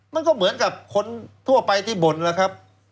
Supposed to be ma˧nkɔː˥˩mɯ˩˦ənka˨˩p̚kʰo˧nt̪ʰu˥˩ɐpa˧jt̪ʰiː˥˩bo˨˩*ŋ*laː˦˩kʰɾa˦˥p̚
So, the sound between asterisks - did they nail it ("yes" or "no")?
no